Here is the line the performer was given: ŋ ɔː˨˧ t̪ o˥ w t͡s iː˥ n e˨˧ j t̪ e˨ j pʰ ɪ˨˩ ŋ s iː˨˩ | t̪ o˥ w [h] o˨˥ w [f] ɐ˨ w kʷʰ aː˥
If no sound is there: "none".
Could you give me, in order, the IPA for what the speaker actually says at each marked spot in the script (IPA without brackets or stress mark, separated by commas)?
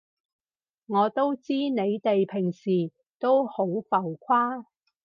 h, f